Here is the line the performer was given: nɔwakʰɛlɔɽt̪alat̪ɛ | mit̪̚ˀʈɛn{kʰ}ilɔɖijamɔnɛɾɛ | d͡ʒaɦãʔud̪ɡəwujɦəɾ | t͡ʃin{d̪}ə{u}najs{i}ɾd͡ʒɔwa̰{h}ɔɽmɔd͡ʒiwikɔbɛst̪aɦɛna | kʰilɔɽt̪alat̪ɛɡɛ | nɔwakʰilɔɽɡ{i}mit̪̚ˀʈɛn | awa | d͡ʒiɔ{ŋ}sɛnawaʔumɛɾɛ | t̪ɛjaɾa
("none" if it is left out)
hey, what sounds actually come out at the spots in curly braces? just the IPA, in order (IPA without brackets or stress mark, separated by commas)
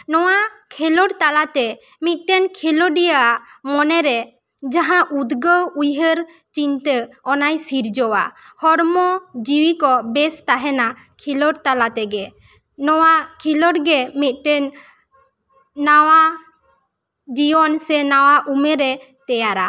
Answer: kʰ, t̪, ɔ, i, h, ɛ, n